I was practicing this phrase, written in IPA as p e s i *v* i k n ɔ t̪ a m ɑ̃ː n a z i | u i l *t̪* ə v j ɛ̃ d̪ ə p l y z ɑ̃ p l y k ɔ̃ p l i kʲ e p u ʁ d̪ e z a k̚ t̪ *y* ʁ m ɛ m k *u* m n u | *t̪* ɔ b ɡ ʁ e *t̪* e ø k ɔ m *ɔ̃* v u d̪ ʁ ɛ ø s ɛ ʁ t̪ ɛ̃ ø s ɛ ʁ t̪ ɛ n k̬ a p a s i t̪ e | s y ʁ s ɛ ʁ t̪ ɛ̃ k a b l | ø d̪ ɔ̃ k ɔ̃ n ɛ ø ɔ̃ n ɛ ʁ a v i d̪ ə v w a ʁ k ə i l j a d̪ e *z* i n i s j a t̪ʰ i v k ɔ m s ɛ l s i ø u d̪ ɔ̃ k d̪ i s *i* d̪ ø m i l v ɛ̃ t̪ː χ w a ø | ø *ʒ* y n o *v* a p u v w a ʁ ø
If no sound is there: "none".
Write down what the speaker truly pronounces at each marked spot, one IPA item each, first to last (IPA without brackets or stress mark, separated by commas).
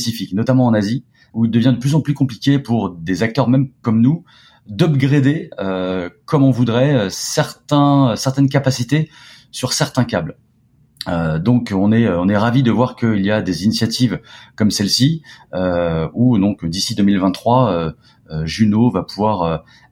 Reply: f, d̪, œ, ɔ, d̪, d̪, ɔ̃, z, i, ʒ, v